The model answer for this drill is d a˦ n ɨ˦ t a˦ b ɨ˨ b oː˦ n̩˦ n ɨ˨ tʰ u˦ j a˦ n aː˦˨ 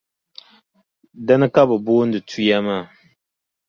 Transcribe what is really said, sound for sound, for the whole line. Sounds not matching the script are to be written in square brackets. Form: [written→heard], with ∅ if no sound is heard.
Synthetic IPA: d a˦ n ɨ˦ [t→k] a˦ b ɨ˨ b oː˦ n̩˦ [n→d] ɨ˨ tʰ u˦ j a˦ [n→m] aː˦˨